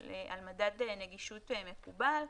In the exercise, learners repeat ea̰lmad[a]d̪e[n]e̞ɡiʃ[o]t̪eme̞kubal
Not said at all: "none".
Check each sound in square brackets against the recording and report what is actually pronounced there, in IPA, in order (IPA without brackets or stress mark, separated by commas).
a, n, u